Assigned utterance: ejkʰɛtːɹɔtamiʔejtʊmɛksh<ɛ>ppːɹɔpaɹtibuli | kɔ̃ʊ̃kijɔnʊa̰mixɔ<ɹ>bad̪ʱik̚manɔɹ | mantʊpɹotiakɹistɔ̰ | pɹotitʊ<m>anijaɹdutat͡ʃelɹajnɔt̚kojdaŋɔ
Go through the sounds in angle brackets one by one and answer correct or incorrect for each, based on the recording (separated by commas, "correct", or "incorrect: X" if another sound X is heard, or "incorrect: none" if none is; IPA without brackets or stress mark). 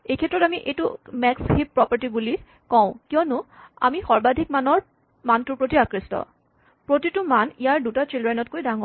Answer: incorrect: i, correct, correct